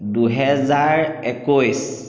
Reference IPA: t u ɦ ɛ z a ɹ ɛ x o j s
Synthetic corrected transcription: d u ɦ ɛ z a ɹ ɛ k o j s